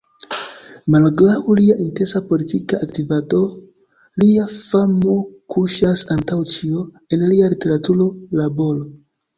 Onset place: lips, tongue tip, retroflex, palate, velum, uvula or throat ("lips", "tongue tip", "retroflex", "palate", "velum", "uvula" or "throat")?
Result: lips